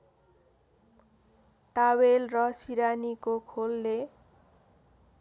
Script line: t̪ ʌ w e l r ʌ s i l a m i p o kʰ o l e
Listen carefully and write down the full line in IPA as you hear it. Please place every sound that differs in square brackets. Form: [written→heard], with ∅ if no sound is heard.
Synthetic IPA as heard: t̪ [ʌ→a] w e l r ʌ s i [l→ɾ] a [m→n] i [p→k] o kʰ o [l→lː] e